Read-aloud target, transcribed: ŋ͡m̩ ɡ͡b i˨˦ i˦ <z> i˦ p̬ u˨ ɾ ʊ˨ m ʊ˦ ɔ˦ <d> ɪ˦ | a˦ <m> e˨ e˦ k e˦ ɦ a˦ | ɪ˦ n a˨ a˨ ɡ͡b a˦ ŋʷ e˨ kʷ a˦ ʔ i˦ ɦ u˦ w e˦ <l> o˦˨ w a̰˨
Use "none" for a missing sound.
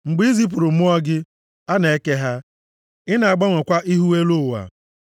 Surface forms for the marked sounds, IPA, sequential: z, ɡ, n, l

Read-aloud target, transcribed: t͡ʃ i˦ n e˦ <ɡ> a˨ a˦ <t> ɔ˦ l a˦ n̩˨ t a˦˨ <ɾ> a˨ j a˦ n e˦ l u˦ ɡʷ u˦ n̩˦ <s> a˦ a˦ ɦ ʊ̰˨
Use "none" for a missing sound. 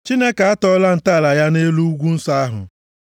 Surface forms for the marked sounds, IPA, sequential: k, t, l, s

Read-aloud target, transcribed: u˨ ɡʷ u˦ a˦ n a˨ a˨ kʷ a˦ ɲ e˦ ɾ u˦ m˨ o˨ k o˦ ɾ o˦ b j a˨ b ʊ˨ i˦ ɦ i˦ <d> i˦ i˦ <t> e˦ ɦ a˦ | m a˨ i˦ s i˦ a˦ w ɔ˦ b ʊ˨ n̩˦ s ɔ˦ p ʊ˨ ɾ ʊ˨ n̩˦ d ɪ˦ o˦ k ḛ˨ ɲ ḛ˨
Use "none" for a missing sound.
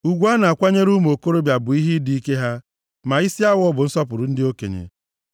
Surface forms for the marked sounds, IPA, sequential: d, k

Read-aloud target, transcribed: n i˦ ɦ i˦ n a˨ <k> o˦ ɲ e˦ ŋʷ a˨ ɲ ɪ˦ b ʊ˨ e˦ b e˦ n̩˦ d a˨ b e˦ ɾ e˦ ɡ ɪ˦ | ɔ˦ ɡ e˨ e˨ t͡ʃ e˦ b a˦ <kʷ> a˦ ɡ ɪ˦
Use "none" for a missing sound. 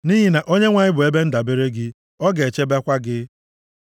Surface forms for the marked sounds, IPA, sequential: ʔ, kʷ

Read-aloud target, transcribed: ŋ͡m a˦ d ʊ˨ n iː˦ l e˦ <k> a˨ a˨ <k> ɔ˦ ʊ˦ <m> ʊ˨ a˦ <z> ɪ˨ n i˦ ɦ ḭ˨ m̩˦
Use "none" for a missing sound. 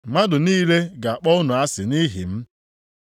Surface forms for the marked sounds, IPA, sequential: ɡ, k͡p, n, s

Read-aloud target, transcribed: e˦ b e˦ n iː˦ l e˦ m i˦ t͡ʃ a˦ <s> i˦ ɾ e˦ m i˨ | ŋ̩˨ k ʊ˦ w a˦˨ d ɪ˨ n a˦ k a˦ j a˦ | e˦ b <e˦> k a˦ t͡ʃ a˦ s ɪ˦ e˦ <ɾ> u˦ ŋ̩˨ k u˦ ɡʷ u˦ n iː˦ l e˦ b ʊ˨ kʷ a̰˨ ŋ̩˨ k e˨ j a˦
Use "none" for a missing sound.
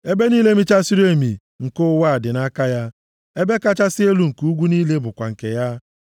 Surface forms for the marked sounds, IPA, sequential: s, e˦, l

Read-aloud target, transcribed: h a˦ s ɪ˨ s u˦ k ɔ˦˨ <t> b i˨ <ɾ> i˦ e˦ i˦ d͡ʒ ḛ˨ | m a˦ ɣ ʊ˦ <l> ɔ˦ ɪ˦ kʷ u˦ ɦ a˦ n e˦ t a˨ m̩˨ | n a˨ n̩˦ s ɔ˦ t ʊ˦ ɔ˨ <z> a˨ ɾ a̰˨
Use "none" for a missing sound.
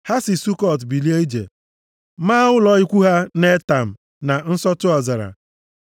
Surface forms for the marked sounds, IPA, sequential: t, l, l, z

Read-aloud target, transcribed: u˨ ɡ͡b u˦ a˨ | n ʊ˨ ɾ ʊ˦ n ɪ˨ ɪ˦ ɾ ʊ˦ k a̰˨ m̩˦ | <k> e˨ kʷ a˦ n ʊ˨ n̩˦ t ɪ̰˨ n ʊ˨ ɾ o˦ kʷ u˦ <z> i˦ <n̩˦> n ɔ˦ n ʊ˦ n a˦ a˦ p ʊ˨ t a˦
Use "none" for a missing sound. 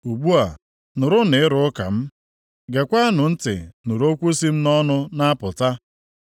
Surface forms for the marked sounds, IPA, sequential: ɡ, s, m̩˦

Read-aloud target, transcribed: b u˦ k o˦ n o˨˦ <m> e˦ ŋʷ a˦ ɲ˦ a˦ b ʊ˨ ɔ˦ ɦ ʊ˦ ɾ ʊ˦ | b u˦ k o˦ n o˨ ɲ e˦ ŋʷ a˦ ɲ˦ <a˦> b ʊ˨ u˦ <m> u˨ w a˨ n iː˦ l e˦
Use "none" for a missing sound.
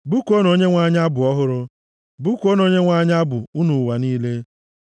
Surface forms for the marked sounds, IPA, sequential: ɲ, a˦, n

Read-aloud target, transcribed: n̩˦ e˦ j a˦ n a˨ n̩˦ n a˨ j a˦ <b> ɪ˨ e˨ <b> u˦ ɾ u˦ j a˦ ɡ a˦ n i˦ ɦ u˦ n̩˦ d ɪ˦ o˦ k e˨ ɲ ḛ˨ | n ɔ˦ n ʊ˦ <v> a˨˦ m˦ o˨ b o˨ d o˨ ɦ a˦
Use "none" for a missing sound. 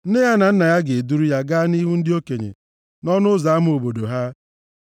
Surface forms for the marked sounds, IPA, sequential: ɡ, d, z

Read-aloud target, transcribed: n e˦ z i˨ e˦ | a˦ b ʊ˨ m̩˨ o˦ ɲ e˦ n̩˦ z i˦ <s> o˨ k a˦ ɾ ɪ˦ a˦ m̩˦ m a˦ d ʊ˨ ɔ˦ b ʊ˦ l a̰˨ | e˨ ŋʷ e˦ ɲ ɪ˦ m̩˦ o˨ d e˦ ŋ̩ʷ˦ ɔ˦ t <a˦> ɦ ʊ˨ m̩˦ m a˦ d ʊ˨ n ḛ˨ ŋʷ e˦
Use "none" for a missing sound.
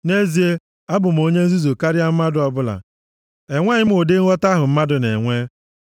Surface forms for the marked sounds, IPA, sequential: z, a˦

